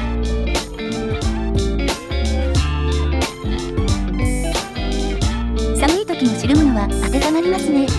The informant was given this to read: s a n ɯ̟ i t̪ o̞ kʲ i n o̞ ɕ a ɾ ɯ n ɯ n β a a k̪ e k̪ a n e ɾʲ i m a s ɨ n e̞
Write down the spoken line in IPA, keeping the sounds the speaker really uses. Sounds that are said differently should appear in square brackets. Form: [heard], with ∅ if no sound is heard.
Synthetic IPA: s a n ɯ̟ i t̪ o̞ kʲ i n o̞ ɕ [i] ɾ ɯ [m] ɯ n β a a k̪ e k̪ a n [a] ɾʲ i m a s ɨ n e̞